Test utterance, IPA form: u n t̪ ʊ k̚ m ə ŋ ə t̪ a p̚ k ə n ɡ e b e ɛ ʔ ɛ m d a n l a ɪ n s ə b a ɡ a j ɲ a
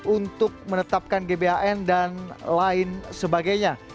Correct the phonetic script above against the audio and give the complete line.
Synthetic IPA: u n t̪ ʊ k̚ m ə n ə t̪ a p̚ k a n ɡ e b e a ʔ ɛ n d a n l a ɪ n s ə b a ɡ a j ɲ a